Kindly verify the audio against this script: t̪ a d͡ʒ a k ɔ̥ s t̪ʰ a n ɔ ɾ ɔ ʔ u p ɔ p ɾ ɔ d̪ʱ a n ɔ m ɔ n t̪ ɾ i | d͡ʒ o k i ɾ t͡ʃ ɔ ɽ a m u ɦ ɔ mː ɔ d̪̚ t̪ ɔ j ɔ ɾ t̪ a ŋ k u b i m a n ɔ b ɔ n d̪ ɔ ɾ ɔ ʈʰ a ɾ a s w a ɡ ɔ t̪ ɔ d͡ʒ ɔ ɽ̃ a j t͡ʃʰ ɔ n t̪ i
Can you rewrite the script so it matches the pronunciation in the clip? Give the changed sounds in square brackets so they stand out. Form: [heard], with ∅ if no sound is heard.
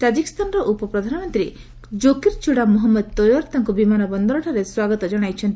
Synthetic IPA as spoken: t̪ a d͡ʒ [i] k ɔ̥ s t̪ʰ a n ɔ ɾ ɔ ʔ u p ɔ p ɾ ɔ d̪ʱ a n ɔ m ɔ n t̪ ɾ i | d͡ʒ o k i ɾ t͡ʃ [u] ɽ a m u ɦ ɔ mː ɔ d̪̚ t̪ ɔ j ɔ ɾ t̪ a ŋ k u b i m a n ɔ b ɔ n d̪ ɔ ɾ ɔ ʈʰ a ɾ [e] s w a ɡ ɔ t̪ ɔ d͡ʒ ɔ ɽ̃ a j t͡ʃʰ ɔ n t̪ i